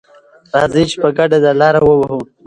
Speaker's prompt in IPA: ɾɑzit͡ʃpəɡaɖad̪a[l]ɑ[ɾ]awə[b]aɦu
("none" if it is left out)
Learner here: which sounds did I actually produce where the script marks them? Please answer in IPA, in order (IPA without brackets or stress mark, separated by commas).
l, ɾ, w